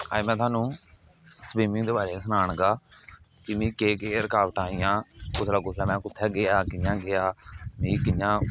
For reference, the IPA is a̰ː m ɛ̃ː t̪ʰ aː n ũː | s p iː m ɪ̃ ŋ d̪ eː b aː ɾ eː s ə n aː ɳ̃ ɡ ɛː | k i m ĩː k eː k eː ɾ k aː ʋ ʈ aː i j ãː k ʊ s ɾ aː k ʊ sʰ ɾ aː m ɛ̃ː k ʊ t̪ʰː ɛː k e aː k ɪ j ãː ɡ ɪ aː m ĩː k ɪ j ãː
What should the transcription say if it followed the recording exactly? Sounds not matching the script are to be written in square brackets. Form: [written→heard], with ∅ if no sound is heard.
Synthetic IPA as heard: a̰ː m ɛ̃ː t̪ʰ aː n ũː | s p iː m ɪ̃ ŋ d̪ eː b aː ɾ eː s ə n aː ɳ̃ ɡ [ɛː→aː] | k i m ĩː k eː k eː ɾ k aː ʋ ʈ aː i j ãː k ʊ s ɾ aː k ʊ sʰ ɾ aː m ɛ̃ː k ʊ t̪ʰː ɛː [k→ɡ] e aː k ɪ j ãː ɡ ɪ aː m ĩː k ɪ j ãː